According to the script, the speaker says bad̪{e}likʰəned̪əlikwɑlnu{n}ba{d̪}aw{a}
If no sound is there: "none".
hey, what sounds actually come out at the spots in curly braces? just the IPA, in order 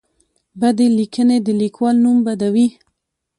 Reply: e, m, d̪, i

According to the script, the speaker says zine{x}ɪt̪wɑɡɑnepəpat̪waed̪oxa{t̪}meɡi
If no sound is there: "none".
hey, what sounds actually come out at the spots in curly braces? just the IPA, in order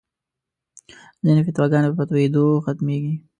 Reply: f, t̪

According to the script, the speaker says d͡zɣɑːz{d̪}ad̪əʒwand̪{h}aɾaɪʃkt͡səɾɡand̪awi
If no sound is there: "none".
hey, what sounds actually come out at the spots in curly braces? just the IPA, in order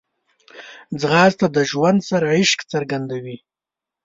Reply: t̪, s

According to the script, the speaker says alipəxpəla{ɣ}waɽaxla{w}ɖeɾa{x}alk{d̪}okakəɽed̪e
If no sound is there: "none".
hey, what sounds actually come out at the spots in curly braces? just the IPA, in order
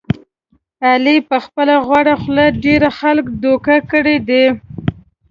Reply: ɣ, none, x, d̪

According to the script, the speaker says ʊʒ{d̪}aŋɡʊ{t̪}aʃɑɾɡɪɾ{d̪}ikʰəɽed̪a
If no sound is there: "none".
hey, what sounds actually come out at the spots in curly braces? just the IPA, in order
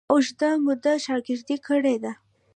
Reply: d̪, d̪, d̪

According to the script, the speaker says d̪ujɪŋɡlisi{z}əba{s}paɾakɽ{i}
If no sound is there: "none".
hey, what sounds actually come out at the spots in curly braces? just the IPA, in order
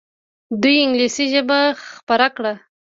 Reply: ʒ, x, a

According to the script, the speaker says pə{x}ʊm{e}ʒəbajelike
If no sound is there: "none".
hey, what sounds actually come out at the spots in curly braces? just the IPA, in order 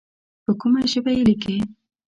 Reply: k, a

